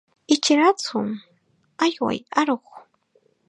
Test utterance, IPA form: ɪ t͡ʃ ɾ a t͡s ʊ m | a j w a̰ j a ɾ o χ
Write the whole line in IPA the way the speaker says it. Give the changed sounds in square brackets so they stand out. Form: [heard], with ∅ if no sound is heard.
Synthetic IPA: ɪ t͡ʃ ɾ a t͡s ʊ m | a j w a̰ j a ɾ o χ